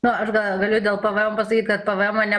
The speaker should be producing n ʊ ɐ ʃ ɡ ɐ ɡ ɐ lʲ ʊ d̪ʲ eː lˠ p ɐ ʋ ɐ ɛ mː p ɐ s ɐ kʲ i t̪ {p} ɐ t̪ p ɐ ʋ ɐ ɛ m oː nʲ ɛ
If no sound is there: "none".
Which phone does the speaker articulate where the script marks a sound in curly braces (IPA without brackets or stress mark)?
k